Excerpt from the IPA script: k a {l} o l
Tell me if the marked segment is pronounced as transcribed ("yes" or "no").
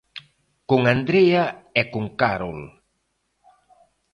no